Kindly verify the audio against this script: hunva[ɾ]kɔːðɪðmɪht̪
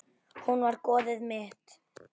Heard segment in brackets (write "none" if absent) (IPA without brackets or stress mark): ɾ